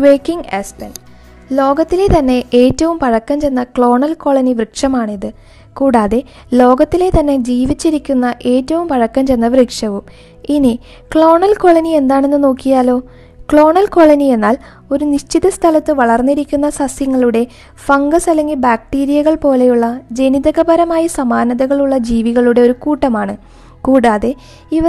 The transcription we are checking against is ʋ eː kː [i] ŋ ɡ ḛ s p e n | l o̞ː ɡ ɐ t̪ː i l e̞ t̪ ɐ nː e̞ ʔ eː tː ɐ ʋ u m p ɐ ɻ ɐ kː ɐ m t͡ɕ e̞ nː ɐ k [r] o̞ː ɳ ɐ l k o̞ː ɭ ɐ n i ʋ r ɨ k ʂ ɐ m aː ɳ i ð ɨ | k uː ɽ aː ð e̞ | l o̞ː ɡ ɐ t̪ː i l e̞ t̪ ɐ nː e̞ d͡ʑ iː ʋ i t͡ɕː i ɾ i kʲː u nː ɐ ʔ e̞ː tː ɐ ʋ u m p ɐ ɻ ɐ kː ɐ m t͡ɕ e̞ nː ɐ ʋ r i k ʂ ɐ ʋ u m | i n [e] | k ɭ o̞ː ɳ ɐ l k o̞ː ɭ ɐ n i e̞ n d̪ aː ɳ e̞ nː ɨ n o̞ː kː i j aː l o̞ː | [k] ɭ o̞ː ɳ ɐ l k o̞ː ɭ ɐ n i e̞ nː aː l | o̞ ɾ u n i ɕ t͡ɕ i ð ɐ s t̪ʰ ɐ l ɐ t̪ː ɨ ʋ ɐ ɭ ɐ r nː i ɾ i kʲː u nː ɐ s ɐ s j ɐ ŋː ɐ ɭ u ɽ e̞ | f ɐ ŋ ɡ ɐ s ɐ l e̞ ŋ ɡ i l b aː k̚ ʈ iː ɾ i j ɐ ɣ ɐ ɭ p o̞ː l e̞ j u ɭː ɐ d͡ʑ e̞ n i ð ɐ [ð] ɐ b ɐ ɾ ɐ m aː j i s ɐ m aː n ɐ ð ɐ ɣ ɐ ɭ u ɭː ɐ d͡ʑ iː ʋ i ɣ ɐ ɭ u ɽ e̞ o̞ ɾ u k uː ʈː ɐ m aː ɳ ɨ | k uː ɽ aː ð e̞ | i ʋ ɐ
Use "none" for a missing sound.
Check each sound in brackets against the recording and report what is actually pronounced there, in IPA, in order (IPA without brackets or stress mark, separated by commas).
i, ɭ, i, k, ɣ